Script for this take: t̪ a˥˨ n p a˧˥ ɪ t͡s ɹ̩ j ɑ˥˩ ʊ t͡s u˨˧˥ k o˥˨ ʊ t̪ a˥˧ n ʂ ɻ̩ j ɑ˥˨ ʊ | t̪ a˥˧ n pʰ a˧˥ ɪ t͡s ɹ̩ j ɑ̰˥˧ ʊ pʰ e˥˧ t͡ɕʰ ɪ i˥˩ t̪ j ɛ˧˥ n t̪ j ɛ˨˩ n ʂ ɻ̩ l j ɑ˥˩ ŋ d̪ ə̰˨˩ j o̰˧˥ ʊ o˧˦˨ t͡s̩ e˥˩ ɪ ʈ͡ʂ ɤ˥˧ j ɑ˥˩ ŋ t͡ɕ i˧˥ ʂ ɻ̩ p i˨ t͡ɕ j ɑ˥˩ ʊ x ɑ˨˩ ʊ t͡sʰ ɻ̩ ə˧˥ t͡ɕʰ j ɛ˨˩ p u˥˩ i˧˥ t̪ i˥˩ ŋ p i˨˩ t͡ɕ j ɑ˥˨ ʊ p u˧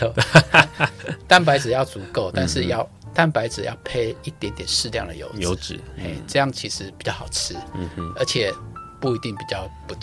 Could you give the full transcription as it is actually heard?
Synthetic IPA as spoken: t̪ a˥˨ n p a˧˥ ɪ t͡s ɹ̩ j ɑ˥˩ ʊ t͡s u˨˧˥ k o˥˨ ʊ t̪ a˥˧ n ʂ ɻ̩ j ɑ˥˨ ʊ | t̪ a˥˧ n p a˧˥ ɪ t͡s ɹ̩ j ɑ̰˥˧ ʊ pʰ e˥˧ ɪ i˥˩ t̪ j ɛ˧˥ n t̪ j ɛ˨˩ n ʂ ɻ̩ l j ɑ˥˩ ŋ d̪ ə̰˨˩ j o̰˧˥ ʊ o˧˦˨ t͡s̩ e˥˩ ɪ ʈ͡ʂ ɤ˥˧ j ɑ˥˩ ŋ t͡ɕʰ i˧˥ ʂ ɻ̩ p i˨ t͡ɕ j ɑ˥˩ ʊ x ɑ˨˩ ʊ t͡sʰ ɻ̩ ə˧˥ t͡ɕʰ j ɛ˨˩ p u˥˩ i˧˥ t̪ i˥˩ ŋ p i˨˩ t͡ɕ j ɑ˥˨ ʊ p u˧